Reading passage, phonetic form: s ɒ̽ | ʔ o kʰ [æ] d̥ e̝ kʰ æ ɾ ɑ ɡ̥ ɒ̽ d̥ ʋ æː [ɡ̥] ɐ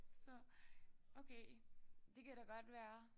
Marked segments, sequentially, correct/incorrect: incorrect: e, incorrect: none

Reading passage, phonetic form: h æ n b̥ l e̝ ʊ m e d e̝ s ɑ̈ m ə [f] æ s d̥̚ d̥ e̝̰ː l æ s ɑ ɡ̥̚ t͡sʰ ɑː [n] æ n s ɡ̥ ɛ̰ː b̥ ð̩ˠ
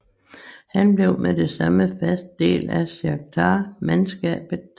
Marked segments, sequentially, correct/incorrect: correct, incorrect: m

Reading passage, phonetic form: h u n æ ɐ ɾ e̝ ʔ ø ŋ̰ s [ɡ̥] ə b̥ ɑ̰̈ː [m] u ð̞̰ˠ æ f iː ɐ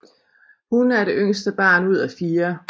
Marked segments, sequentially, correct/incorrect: incorrect: d̥, incorrect: n

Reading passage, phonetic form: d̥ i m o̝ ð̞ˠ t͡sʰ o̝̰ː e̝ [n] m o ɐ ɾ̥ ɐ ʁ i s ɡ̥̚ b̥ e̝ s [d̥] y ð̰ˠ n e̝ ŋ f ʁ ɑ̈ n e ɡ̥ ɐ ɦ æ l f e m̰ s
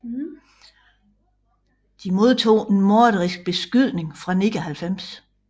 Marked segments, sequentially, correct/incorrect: correct, incorrect: ɡ̥

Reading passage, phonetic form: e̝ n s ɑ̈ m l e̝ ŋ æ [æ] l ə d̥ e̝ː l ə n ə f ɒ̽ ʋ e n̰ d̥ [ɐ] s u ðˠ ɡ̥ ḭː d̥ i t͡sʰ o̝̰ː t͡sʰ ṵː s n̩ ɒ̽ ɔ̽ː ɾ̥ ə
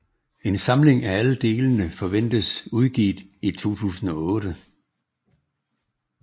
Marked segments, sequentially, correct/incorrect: correct, incorrect: ə

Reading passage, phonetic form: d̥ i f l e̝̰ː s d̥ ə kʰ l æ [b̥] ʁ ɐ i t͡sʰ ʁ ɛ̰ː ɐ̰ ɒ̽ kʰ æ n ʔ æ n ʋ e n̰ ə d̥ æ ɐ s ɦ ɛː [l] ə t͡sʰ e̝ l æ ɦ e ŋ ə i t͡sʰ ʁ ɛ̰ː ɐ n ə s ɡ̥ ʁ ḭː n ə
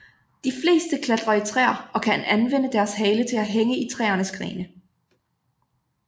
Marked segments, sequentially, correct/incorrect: incorrect: d̥, correct

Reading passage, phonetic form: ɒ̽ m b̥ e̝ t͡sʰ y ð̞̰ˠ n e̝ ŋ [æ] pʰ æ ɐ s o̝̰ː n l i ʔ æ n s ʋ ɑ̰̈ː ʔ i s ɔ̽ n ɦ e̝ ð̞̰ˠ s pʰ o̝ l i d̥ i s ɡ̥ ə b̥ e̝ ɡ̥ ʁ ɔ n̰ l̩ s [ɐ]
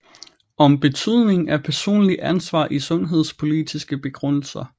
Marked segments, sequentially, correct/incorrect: correct, correct

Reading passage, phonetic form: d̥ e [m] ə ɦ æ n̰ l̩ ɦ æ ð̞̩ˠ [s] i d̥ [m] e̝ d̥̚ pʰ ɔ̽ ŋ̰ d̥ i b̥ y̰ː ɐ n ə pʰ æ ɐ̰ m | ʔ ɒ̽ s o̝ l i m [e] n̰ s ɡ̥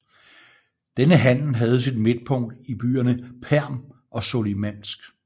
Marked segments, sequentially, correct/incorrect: incorrect: n, correct, correct, incorrect: æ

